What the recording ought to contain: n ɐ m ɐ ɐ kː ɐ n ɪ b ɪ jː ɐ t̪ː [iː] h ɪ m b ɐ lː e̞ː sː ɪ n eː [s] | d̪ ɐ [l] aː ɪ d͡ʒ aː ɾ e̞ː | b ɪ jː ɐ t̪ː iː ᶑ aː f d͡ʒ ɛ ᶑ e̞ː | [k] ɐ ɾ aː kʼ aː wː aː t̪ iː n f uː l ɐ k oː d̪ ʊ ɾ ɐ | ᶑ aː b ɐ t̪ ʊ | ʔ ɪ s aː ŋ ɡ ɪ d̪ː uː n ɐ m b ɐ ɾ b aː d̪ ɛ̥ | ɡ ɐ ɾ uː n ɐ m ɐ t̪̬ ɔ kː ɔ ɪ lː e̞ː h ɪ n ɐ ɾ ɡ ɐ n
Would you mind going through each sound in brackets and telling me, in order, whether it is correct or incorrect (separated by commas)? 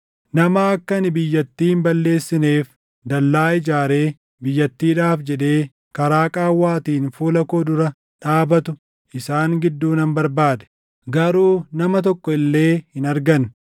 correct, incorrect, incorrect, correct